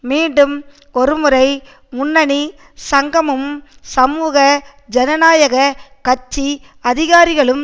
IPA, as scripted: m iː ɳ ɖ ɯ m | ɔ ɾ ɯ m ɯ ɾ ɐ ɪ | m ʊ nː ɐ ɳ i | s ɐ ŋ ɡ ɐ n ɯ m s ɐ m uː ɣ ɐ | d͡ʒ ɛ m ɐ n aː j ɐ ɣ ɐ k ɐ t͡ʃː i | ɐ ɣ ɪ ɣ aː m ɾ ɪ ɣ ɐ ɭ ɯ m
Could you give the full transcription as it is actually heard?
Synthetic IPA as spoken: m iː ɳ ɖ ɯ m | ɔ ɾ ɯ m ɯ ɾ ɐ ɪ | m ʊ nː ɐ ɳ i | s ɐ ŋ ɡ ɐ m ɯ m s ɐ m uː ɣ ɐ | d͡ʒ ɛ n ɐ n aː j ɐ ɣ ɐ k ɐ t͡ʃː i | ɐ ð ɪ ɣ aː ɾ ɪ ɣ ɐ ɭ ɯ m